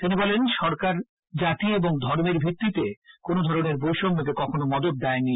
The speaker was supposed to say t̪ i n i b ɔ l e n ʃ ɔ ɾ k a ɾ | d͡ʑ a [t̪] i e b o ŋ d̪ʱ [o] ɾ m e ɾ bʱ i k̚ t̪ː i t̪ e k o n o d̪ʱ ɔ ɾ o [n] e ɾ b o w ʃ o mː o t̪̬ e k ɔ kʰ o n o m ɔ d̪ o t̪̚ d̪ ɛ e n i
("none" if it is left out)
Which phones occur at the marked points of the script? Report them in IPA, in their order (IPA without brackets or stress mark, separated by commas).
t̪, ɔ, n